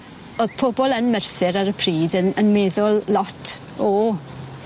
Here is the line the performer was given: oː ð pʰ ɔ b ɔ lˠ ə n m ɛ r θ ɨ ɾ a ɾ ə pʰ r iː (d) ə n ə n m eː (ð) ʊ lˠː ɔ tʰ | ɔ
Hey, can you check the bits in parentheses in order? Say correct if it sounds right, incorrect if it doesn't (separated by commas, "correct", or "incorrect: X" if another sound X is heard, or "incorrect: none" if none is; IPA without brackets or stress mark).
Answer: correct, correct